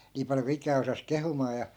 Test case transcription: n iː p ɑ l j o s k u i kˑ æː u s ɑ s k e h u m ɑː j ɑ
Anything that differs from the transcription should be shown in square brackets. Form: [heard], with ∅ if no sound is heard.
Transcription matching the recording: n iː p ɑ l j o [∅] k u i kˑ æː [o] s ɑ s k e h u m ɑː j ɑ